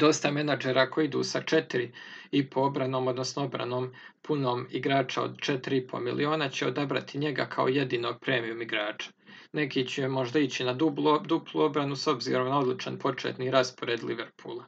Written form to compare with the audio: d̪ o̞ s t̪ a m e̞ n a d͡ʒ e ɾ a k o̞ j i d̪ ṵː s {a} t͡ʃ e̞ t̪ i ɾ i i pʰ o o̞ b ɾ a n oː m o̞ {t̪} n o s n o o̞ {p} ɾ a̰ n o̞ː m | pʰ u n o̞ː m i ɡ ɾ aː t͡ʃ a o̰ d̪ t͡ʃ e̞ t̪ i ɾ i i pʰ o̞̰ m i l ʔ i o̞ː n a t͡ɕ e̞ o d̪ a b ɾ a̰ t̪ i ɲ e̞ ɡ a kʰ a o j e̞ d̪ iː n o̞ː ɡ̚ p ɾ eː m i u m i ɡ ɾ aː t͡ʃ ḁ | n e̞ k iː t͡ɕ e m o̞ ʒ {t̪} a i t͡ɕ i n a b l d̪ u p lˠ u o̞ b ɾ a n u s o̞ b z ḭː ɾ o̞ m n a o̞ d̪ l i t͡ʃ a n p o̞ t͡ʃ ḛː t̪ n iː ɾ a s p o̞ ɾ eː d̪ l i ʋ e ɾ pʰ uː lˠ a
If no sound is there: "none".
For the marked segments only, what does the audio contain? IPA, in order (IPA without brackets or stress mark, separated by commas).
a, d̪, b, d̪